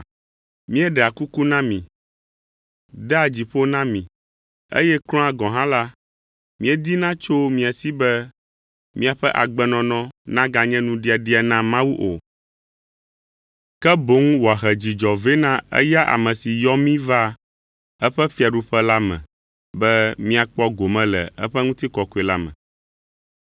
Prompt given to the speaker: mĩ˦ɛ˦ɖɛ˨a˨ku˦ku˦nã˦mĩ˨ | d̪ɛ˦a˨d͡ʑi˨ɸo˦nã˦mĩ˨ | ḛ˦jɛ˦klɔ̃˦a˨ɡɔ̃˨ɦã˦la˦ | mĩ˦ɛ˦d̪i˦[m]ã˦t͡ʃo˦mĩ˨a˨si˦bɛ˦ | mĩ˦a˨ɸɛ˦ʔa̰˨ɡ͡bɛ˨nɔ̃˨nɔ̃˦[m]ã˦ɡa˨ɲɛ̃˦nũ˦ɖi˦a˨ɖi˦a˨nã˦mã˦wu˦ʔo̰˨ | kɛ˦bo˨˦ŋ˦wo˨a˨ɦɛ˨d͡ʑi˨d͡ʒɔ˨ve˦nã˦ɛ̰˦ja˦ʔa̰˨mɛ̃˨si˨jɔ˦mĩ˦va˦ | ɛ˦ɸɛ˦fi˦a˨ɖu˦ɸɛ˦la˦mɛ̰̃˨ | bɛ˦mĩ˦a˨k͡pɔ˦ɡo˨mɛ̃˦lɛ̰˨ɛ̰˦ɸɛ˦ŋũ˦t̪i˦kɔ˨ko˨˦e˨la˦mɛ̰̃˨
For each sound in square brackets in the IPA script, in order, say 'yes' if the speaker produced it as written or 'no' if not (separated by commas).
no, no